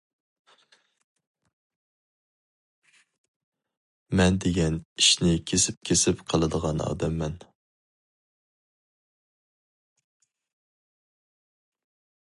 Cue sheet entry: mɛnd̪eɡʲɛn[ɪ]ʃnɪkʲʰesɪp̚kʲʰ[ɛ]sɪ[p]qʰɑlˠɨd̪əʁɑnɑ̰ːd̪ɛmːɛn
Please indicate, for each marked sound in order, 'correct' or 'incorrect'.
incorrect, incorrect, correct

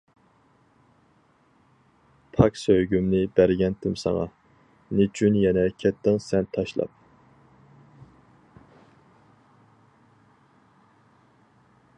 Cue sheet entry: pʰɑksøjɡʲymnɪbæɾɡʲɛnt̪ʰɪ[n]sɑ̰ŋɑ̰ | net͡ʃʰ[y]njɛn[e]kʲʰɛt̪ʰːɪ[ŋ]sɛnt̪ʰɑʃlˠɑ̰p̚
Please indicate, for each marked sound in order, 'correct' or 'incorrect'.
incorrect, correct, incorrect, correct

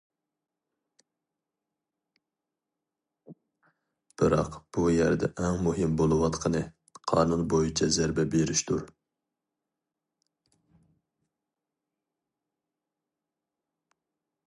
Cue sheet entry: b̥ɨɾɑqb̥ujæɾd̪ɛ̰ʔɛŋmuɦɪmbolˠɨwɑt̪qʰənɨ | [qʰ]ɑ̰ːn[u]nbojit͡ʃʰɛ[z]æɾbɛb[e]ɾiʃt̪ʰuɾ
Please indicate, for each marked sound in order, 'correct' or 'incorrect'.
correct, correct, correct, correct

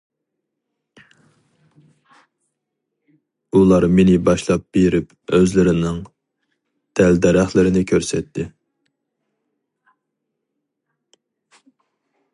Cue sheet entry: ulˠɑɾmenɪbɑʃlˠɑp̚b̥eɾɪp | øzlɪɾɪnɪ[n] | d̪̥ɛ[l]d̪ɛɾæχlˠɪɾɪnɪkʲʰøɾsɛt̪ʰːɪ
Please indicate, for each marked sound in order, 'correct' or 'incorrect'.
incorrect, correct

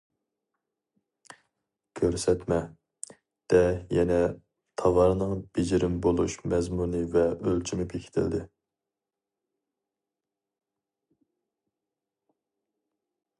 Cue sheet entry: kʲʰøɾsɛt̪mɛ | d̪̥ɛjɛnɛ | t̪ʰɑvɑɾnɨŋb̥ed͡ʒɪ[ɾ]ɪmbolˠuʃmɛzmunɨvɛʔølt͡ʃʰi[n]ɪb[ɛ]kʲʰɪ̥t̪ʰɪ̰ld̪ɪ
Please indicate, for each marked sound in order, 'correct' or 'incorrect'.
correct, incorrect, incorrect

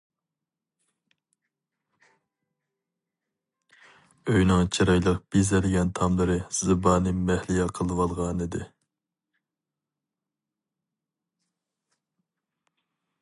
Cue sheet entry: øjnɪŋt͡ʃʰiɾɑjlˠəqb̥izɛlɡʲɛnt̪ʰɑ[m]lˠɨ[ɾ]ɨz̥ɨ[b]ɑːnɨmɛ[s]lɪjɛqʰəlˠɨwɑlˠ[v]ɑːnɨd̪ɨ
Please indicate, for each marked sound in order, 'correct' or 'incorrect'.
correct, correct, correct, incorrect, incorrect

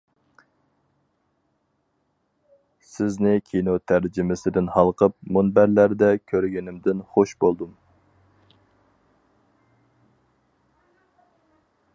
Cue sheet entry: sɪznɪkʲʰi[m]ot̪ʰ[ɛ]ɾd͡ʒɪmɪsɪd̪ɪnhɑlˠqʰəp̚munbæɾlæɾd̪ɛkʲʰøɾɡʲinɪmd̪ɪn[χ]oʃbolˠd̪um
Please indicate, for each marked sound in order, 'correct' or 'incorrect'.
incorrect, incorrect, correct

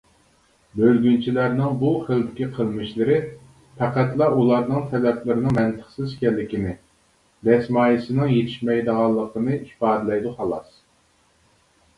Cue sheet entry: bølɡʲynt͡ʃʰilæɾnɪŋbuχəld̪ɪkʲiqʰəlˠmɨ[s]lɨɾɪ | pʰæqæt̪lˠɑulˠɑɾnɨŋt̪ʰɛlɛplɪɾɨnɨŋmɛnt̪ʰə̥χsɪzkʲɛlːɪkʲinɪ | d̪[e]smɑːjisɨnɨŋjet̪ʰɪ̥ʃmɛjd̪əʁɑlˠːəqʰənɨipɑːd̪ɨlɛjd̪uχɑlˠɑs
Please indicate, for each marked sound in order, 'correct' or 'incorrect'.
incorrect, incorrect

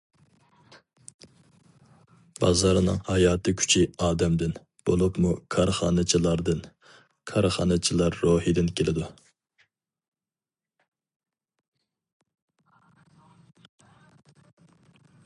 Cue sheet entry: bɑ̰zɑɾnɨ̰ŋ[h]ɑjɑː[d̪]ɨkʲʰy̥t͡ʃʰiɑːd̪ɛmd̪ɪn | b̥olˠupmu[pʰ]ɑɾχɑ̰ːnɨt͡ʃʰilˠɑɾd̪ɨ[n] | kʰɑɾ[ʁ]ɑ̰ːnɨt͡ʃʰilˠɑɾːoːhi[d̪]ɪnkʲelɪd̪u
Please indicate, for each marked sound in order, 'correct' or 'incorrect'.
correct, incorrect, incorrect, correct, incorrect, correct

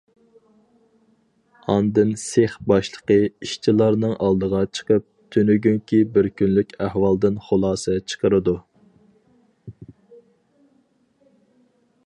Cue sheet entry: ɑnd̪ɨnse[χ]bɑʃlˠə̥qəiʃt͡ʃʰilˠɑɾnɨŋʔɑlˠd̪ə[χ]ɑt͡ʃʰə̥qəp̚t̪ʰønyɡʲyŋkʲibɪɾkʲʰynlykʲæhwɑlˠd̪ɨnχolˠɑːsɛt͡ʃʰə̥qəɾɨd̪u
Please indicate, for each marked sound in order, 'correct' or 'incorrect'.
correct, incorrect

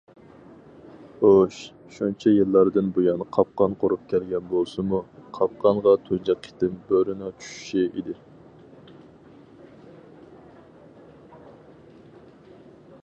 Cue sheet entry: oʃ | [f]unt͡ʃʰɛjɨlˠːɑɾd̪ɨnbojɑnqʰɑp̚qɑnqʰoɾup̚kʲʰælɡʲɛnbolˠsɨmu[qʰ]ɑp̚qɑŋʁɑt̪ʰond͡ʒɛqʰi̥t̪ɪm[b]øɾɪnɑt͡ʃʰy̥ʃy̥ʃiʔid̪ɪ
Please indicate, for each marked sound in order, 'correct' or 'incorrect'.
incorrect, correct, correct

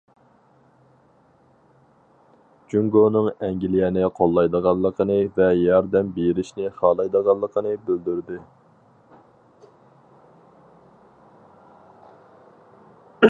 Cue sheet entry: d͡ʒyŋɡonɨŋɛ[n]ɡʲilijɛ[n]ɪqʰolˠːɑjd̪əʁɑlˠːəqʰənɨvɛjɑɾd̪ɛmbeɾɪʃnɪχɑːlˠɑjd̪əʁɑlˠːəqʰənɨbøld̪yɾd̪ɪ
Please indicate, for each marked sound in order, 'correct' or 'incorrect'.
incorrect, correct

